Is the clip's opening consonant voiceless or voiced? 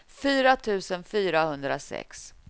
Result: voiceless